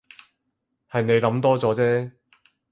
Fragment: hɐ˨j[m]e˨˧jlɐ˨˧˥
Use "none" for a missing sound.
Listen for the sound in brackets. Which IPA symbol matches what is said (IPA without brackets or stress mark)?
n